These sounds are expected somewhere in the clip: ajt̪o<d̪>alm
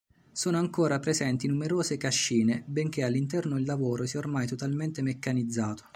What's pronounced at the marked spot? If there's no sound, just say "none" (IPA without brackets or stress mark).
t̪